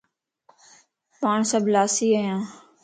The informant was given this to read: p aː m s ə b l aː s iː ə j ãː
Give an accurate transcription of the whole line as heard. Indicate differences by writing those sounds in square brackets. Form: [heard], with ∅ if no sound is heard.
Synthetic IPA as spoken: p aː [ɳ] s ə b l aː s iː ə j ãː